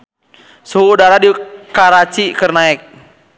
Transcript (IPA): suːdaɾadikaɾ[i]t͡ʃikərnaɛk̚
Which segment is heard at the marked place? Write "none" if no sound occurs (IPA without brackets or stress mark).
a